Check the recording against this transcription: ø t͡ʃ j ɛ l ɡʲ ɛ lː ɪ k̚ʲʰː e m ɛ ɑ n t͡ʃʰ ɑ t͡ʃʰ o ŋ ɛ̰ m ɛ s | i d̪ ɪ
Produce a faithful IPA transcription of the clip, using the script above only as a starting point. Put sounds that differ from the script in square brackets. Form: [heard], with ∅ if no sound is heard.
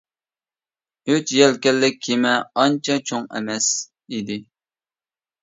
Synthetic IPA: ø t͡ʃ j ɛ l [kʲ] ɛ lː ɪ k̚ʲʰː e m ɛ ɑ n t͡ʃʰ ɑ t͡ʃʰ o ŋ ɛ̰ m ɛ s | i d̪ ɪ